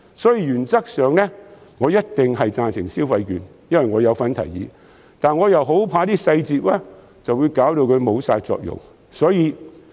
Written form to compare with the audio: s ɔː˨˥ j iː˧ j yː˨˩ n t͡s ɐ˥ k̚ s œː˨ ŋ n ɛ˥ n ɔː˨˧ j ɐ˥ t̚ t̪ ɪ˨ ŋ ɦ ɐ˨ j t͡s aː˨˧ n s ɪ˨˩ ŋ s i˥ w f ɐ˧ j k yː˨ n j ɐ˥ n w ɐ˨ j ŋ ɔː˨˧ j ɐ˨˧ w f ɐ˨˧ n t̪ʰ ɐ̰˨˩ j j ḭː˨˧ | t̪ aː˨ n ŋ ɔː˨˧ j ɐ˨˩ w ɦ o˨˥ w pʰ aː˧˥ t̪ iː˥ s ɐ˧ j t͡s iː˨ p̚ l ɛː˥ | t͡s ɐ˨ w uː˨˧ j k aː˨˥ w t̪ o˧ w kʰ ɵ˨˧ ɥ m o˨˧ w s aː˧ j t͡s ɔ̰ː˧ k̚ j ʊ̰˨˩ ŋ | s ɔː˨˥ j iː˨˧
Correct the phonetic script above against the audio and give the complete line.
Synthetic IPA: s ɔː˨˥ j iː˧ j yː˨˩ n t͡s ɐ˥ k̚ s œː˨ ŋ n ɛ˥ ŋ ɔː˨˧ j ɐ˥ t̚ t̪ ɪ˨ ŋ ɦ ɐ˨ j t͡s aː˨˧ n s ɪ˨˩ ŋ s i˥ w f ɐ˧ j k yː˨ n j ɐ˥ n w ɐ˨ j ŋ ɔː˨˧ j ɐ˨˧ w f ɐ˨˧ n t̪ʰ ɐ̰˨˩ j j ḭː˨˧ | t̪ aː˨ n ŋ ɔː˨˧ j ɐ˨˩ w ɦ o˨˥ w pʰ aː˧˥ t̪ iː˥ s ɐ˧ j t͡s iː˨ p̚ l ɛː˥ | t͡s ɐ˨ w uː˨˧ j k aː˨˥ w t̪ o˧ w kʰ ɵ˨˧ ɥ m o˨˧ w s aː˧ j t͡s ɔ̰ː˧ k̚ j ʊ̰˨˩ ŋ | s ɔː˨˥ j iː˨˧

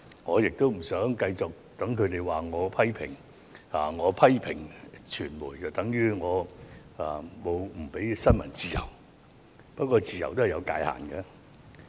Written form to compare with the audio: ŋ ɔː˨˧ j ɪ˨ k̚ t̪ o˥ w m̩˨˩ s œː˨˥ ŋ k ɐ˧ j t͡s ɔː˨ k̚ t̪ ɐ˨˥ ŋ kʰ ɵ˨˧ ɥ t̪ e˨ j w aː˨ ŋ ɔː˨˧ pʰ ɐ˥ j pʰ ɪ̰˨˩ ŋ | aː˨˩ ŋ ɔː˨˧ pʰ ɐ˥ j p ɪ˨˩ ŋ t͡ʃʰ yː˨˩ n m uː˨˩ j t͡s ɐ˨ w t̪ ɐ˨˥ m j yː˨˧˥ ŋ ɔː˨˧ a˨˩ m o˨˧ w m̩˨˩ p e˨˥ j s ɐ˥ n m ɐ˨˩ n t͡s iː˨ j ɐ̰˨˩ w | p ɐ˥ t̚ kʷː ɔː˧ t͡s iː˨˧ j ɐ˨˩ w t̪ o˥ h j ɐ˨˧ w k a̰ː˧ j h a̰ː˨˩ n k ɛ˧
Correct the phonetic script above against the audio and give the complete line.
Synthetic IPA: ŋ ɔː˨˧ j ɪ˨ k̚ t̪ o˥ w m̩˨˩ s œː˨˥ ŋ k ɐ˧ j t͡s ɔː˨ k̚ t̪ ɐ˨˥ ŋ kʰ ɵ˨˧ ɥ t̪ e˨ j w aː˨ ŋ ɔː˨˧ pʰ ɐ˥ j pʰ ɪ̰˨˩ ŋ | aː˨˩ ŋ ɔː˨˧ pʰ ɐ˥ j pʰ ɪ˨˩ ŋ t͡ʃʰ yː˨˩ n m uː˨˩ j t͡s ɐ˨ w t̪ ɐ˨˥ ŋ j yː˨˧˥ ŋ ɔː˨˧ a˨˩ m o˨˧ w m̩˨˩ p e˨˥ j s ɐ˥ n m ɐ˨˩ n t͡s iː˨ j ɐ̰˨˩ w | p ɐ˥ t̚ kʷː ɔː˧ t͡s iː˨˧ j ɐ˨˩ w t̪ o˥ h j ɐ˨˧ w k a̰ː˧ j h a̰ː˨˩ n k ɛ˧

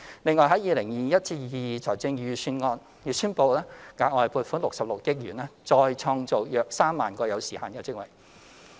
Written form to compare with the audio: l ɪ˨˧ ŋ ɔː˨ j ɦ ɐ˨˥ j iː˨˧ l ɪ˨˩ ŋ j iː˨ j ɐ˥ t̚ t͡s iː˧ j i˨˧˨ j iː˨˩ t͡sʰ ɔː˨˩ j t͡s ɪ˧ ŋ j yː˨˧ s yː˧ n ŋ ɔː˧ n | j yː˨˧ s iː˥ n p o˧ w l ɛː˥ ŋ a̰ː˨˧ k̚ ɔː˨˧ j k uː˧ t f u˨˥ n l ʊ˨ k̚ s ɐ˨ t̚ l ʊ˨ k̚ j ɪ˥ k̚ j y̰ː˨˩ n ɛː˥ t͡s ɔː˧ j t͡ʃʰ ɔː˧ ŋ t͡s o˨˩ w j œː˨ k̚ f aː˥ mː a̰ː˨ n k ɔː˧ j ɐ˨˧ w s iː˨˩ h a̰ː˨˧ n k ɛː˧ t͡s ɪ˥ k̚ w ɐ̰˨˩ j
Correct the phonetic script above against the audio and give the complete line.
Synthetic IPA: l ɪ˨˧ ŋ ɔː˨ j ɦ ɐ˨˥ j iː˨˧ l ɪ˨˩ ŋ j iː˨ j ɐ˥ t̚ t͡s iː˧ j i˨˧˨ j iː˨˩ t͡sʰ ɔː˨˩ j t͡s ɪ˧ ŋ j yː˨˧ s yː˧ n ŋ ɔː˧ n | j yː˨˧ s yː˥ n p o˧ w l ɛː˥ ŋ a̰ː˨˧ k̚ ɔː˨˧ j p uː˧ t f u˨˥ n l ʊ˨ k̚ s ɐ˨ p̚ l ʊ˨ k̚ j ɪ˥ k̚ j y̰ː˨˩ n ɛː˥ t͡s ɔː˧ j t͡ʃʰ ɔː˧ ŋ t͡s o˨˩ w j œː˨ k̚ s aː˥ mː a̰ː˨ n k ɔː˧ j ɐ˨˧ w s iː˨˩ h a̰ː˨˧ n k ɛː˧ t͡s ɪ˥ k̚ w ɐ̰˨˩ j

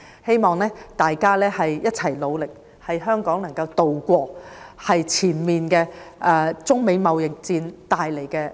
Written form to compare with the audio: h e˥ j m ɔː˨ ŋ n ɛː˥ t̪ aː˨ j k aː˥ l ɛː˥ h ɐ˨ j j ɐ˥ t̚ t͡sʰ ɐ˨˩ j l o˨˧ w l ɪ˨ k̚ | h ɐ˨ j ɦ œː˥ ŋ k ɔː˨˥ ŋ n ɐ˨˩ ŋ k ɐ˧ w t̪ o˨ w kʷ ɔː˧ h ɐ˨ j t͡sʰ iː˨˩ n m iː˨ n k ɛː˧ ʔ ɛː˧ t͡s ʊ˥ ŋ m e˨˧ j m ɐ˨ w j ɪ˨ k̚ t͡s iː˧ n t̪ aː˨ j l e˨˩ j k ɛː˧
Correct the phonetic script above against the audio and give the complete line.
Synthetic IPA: h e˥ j m ɔː˨ ŋ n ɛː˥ t̪ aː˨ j k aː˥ l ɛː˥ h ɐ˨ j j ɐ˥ t̚ t͡sʰ ɐ˨˩ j l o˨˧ w l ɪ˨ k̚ | h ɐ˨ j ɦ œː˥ ŋ k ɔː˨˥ ŋ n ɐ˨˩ ŋ k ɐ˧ w t̪ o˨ w kʷ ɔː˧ h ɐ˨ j t͡sʰ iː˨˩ n m iː˨ n k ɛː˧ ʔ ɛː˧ t͡s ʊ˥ ŋ m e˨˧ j m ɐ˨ w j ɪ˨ k̚ t͡s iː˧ n t̪ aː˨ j l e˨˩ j k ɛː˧

